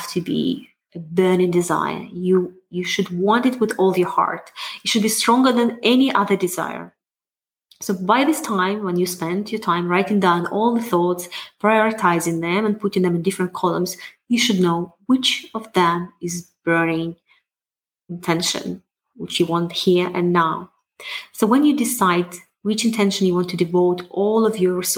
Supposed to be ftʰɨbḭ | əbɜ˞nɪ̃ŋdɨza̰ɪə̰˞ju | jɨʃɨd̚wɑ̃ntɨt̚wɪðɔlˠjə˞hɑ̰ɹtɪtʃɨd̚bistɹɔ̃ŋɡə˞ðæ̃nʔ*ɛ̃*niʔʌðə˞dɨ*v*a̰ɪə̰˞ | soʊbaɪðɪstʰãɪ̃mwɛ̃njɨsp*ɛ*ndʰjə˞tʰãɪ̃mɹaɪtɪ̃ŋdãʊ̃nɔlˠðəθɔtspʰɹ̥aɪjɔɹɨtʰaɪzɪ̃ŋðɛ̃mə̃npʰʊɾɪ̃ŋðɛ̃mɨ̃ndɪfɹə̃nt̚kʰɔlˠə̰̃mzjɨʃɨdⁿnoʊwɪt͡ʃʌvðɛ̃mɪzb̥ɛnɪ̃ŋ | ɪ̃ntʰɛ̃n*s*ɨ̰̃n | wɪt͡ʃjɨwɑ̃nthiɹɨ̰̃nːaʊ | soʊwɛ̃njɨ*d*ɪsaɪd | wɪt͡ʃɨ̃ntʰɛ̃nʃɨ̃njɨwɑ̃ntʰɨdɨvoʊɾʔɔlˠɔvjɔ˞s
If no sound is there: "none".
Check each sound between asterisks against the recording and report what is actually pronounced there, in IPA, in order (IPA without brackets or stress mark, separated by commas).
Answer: ɛ, z, ɛ̃, ʃ, d